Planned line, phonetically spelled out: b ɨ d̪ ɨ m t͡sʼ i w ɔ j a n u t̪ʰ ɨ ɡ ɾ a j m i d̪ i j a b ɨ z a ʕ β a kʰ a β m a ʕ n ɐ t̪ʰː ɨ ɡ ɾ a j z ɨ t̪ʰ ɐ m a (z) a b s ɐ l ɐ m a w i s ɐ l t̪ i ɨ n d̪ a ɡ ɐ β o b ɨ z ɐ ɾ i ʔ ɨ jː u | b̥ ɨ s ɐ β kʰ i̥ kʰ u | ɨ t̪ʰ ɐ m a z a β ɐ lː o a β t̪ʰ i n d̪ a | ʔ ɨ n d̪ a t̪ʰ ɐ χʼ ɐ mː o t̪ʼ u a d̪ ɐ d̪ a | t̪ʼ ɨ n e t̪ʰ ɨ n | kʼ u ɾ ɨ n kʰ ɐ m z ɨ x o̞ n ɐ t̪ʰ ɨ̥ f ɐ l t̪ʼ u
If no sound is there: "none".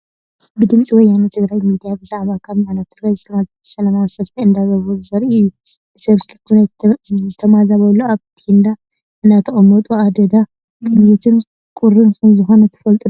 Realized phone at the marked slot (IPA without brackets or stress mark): z